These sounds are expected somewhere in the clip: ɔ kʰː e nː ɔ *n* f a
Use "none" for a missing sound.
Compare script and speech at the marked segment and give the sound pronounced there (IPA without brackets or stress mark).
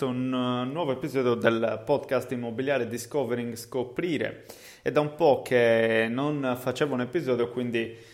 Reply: n